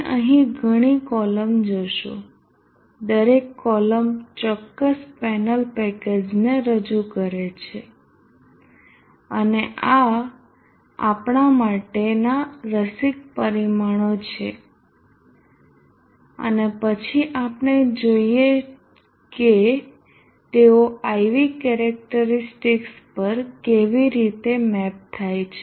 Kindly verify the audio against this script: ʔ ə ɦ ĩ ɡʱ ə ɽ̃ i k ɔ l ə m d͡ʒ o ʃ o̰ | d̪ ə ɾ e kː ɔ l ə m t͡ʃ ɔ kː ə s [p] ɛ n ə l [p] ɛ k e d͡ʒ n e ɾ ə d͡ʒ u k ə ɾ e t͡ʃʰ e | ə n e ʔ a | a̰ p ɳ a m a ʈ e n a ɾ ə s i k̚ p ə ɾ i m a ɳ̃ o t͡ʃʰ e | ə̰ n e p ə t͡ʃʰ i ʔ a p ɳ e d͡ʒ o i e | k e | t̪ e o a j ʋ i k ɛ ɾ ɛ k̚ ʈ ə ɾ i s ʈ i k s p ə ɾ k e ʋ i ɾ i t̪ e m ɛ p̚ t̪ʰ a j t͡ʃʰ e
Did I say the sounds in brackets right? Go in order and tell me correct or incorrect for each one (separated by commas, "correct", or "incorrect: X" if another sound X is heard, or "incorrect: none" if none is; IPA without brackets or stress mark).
correct, correct